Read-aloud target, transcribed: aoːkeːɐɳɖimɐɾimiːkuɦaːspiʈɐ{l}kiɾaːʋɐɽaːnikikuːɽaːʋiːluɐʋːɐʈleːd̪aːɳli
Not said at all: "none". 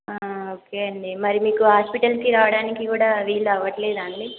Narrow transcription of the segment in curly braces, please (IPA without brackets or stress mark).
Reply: l